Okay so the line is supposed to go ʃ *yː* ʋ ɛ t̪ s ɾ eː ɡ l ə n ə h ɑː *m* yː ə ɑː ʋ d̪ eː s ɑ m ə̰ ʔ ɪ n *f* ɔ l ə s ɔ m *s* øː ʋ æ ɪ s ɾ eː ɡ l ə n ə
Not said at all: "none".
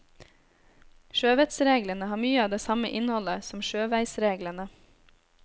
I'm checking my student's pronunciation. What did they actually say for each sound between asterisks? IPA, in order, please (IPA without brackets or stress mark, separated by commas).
øː, m, h, ʃ